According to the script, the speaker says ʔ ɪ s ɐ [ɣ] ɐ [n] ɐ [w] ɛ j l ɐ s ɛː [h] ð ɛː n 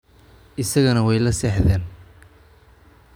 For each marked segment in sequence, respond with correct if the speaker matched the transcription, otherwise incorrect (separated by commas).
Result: correct, correct, correct, incorrect